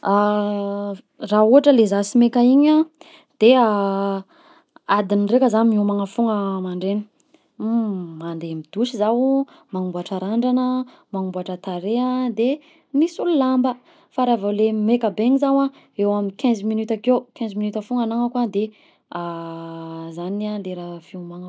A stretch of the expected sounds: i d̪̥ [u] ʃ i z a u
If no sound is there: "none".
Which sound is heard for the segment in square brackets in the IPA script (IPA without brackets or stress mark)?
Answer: u